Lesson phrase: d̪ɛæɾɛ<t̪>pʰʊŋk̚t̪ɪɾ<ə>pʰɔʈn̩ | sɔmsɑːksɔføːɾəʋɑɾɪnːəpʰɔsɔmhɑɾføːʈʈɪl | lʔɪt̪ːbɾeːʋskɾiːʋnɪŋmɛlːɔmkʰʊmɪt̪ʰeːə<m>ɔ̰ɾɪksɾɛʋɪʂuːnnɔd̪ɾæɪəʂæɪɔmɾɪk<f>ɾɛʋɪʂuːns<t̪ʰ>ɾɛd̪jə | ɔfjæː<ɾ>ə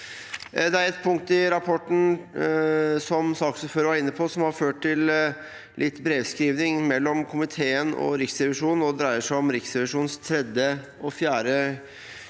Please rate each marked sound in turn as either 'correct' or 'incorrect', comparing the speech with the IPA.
correct, incorrect, incorrect, incorrect, correct, correct

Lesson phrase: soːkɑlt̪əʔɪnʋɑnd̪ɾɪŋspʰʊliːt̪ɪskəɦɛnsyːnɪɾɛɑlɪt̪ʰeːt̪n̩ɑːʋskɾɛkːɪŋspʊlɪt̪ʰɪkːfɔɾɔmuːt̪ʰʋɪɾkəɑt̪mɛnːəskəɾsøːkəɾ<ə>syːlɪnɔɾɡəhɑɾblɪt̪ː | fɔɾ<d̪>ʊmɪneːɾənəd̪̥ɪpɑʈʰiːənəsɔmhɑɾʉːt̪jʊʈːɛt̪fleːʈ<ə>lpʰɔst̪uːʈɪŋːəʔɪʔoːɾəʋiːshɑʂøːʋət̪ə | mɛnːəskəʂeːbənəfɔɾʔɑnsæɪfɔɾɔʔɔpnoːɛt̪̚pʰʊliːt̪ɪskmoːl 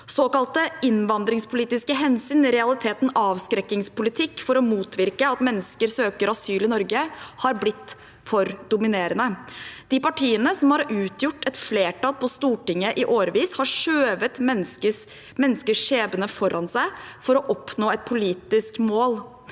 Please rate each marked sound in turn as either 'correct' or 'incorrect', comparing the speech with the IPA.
incorrect, correct, incorrect

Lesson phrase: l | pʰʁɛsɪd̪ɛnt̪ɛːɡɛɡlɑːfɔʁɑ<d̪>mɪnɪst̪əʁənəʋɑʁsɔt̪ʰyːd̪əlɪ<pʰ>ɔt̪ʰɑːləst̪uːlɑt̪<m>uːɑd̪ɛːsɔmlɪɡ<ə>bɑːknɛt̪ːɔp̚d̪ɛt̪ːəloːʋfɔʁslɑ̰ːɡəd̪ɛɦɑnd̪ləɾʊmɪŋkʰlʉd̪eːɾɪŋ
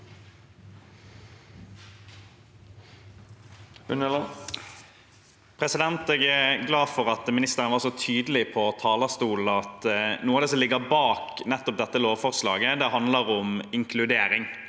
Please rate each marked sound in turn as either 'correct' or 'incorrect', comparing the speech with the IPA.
incorrect, correct, incorrect, correct

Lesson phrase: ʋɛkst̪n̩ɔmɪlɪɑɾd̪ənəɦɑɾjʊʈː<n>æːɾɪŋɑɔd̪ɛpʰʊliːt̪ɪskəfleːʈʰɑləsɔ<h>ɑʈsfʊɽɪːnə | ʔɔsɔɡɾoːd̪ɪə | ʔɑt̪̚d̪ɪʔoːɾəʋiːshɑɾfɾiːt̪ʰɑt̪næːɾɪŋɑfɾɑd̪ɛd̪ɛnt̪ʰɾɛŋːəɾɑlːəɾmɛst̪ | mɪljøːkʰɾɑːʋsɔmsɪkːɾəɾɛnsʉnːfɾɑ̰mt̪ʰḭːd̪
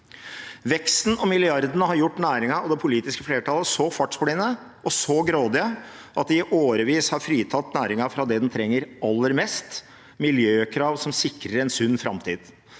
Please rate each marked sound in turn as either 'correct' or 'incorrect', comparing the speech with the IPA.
correct, incorrect

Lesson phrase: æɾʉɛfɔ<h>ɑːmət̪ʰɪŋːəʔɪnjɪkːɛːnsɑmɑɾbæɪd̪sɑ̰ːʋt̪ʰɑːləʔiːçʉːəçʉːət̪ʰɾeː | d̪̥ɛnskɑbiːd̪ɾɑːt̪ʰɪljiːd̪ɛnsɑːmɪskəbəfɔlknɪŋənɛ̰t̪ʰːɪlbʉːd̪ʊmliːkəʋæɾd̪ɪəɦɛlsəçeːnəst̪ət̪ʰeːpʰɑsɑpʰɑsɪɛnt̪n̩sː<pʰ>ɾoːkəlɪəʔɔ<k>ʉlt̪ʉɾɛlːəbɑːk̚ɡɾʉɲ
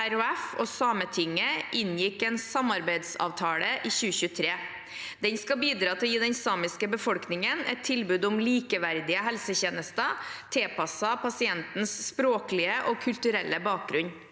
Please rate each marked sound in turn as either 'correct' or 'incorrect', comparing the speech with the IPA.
incorrect, incorrect, incorrect

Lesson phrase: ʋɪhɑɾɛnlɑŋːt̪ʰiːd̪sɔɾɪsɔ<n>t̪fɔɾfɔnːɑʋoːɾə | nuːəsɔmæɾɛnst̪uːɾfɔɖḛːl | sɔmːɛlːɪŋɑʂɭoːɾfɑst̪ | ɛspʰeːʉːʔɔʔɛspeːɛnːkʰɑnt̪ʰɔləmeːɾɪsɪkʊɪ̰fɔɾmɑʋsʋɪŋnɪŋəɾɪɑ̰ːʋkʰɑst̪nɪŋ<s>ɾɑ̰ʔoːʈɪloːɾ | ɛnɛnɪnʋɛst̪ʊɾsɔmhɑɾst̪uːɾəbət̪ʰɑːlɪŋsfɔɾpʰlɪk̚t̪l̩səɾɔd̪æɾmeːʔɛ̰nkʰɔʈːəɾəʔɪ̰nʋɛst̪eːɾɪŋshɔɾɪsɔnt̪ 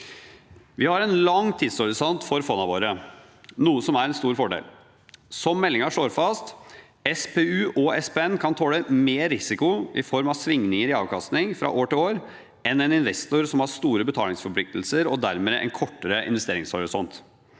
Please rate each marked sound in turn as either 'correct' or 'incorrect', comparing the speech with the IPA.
correct, incorrect

